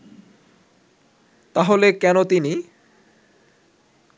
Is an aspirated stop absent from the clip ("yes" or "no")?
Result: yes